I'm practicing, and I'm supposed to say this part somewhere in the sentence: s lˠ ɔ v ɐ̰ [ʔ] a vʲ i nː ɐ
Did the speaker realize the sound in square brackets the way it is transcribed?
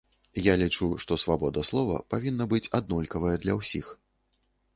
no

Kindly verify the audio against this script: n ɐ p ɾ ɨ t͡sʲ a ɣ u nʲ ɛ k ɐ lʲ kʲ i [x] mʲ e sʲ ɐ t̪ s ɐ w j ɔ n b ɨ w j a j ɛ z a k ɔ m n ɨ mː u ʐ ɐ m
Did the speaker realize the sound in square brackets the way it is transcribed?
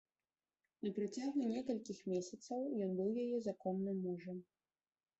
yes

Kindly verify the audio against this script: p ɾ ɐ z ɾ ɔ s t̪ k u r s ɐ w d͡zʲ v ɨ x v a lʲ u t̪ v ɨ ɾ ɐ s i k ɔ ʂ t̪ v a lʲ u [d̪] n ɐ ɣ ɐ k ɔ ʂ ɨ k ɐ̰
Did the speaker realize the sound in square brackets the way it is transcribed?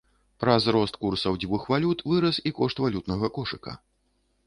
no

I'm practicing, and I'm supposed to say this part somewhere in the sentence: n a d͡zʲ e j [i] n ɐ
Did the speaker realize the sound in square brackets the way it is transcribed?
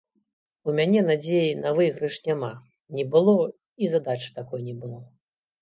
yes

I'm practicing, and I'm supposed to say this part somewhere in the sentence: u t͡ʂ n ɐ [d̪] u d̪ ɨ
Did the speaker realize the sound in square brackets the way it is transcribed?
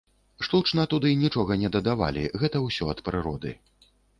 no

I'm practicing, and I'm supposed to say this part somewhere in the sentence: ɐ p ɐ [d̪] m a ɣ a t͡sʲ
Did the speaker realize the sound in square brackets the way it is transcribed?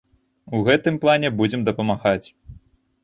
no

